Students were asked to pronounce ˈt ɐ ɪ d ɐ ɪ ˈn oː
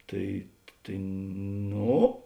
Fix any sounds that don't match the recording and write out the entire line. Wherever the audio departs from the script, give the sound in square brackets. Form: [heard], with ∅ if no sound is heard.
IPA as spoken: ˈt ɐ ɪ [t] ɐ ɪ ˈn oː